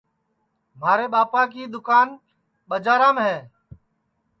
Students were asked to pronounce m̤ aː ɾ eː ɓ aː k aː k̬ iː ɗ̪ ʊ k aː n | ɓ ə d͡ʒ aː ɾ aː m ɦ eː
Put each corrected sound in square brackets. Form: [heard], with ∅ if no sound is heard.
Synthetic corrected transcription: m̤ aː ɾ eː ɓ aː [p] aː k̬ iː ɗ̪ ʊ k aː n | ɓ ə d͡ʒ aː ɾ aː m ɦ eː